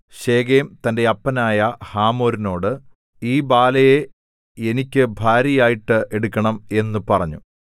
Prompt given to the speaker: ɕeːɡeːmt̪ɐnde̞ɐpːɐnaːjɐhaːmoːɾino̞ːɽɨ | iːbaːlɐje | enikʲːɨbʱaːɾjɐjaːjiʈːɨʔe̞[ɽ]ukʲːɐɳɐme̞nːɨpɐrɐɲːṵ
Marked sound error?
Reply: no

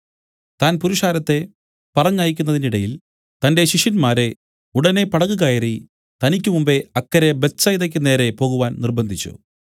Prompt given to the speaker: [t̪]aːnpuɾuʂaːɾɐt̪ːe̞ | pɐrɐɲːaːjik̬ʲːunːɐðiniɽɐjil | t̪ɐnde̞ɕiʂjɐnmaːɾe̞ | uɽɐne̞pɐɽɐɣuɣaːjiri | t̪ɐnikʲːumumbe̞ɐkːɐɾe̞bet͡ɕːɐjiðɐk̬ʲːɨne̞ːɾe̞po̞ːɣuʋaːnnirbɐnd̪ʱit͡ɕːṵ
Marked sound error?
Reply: no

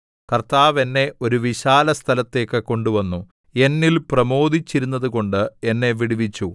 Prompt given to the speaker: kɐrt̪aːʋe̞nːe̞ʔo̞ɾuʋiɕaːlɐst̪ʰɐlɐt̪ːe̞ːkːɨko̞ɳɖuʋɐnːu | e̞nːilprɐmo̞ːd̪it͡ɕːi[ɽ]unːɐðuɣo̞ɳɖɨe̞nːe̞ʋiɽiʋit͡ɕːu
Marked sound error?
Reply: yes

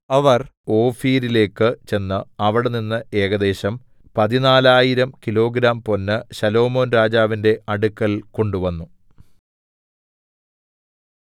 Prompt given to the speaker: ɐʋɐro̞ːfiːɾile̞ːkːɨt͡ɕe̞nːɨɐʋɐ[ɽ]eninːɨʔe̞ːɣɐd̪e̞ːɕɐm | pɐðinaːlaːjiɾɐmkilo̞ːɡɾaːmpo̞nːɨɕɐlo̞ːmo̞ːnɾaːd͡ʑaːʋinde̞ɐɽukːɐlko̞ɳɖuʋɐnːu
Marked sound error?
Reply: no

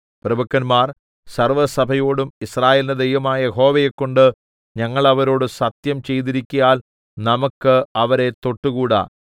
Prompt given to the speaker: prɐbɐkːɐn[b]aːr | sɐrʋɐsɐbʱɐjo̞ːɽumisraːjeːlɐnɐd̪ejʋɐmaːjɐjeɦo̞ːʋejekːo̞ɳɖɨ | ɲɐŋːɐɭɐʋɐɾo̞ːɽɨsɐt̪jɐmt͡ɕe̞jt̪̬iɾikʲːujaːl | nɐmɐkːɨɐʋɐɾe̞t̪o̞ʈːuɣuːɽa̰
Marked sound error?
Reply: yes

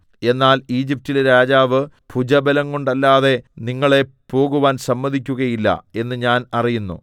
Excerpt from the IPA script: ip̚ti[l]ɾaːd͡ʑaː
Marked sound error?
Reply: no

